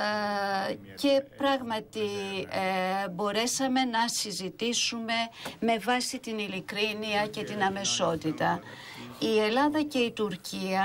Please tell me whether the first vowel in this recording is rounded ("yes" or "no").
no